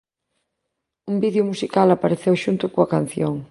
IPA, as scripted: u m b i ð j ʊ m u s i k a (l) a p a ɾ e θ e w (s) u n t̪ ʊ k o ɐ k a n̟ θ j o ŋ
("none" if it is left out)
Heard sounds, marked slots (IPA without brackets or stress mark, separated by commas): l, ʃ